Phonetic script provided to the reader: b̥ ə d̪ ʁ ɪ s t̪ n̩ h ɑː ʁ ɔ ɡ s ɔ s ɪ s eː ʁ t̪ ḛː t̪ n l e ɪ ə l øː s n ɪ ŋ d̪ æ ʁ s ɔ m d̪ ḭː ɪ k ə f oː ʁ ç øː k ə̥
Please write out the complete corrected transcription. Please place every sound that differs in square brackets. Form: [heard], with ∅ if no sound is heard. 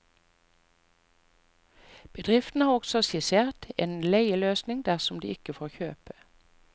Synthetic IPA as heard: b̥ ə d̪ ʁ ɪ [f] t̪ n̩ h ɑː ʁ ɔ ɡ s ɔ s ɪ s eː ʁ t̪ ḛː [∅] n l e ɪ ə l øː s n ɪ ŋ d̪ æ ʁ s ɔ m d̪ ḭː ɪ k ə f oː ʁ ç øː [p] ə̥